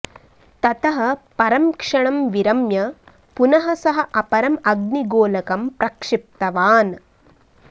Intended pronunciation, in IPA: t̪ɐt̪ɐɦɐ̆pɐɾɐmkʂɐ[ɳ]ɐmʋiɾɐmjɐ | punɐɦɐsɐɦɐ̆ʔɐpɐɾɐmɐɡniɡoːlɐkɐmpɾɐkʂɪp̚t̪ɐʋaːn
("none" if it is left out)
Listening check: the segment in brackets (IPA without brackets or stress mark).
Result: ɳ